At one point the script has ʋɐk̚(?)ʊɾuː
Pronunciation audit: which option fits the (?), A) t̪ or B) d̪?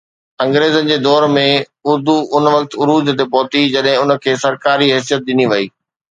A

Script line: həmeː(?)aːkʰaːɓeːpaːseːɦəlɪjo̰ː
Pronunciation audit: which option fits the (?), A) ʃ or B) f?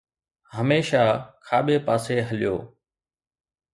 A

